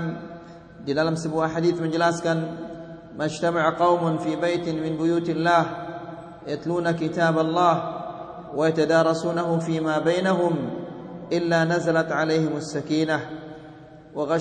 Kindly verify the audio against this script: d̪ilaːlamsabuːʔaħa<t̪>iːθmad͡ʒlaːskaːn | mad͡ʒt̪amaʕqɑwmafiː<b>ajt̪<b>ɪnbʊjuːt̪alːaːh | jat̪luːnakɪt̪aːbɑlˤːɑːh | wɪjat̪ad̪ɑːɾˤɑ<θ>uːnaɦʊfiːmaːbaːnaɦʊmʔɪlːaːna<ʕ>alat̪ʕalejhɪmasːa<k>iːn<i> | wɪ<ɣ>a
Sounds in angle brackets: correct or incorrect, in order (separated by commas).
incorrect, correct, incorrect, incorrect, incorrect, correct, incorrect, correct